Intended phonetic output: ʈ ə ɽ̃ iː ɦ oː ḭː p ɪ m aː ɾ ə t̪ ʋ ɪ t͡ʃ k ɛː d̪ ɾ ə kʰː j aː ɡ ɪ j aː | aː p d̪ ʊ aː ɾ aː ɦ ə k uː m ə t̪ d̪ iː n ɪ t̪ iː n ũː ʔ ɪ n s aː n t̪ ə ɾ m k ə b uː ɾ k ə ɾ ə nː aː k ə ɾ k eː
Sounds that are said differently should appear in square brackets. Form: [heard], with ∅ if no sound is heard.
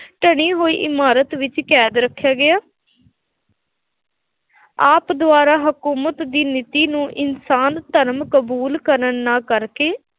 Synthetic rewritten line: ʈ ə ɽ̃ iː ɦ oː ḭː [ʔ] ɪ m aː ɾ ə t̪ ʋ ɪ t͡ʃ k ɛː d̪ ɾ ə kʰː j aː ɡ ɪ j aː | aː p d̪ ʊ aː ɾ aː ɦ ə k uː m ə t̪ d̪ iː n ɪ t̪ iː n ũː ʔ ɪ n s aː n t̪ ə ɾ m k ə b uː [l] k ə ɾ ə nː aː k ə ɾ k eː